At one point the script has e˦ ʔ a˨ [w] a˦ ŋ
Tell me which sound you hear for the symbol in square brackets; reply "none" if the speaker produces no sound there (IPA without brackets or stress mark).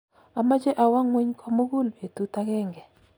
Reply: w